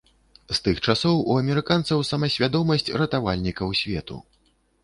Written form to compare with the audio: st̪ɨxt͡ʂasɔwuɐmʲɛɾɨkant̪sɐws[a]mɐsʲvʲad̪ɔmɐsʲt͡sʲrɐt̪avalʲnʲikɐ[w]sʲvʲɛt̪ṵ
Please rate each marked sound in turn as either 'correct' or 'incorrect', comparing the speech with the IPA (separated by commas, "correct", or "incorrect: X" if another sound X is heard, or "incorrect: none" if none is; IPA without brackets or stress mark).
incorrect: ɐ, correct